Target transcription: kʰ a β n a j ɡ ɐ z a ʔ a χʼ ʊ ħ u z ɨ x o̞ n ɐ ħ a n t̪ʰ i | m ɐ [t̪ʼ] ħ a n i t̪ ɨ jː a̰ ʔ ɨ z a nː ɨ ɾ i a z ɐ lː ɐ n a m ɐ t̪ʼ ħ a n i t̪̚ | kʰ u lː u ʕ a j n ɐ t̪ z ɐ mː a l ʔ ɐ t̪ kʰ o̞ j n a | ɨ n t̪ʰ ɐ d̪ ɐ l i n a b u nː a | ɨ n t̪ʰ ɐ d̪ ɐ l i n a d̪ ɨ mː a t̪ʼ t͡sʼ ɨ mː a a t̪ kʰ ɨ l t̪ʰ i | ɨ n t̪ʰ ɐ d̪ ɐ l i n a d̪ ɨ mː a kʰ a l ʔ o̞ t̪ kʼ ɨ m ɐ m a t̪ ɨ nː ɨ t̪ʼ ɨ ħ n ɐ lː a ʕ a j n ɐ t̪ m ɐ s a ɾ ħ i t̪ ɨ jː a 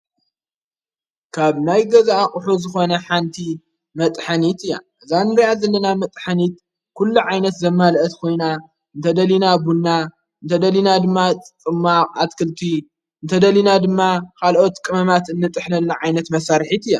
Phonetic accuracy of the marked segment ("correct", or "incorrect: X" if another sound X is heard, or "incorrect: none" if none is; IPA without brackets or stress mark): correct